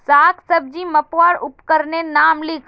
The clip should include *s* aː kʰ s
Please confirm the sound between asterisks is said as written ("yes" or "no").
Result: yes